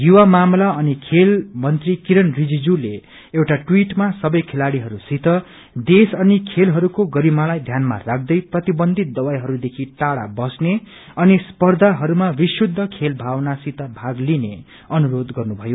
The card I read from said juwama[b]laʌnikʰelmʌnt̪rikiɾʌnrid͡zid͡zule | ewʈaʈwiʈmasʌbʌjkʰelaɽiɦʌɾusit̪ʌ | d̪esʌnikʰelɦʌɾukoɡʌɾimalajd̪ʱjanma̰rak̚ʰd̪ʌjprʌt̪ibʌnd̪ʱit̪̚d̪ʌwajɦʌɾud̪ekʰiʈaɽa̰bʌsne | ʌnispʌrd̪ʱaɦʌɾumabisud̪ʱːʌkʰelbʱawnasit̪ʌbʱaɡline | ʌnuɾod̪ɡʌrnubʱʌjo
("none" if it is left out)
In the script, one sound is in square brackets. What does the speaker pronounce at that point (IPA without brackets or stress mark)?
m